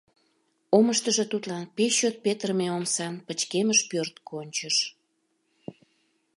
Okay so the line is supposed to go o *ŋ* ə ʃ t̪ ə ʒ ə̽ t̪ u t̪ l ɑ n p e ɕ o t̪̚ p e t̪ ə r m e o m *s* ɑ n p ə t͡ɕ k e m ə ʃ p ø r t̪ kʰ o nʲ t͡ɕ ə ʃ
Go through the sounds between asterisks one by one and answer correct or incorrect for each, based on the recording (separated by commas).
incorrect, correct